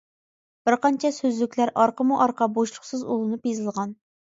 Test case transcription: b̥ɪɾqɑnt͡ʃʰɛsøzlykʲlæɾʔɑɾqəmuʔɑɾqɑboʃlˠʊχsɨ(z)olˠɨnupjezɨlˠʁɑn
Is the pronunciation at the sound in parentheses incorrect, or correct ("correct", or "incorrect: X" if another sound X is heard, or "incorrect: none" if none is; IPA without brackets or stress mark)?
correct